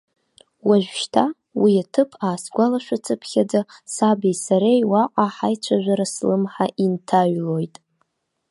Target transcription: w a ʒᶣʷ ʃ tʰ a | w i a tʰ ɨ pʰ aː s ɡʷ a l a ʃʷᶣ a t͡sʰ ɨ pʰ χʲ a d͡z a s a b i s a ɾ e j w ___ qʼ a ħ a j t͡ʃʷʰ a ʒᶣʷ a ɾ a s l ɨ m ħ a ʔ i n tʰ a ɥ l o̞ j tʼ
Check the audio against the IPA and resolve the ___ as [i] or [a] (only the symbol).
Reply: a